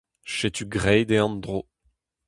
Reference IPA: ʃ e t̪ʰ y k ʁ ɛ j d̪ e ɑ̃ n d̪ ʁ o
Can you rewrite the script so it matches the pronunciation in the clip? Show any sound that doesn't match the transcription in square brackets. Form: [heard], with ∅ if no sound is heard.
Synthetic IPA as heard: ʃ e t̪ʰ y [ɡ] ʁ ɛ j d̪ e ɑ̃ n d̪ ʁ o